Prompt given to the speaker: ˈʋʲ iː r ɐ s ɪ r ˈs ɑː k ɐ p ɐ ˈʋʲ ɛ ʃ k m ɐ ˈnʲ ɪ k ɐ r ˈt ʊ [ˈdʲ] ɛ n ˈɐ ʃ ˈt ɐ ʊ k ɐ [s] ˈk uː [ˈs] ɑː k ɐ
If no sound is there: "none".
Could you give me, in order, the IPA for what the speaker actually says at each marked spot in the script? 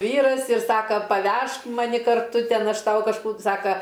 tʲ, ʃ, s

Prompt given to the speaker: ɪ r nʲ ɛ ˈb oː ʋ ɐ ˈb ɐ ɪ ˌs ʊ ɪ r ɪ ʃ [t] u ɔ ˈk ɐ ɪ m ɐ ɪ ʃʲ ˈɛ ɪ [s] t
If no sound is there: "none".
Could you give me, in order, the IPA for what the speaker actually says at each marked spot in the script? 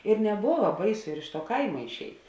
t, none

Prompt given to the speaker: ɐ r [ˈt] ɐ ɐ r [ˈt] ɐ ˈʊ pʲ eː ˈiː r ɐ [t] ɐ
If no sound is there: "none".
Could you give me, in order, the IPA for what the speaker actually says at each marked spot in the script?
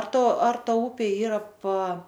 t, t, p

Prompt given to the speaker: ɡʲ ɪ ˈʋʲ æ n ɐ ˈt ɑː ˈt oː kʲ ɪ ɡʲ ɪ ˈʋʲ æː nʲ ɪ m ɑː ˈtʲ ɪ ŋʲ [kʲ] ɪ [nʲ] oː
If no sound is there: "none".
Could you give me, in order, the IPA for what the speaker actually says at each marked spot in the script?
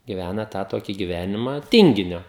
ɡʲ, nʲ

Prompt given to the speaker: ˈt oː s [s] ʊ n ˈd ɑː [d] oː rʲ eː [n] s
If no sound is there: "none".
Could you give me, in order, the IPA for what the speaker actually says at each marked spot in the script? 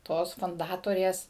f, t, none

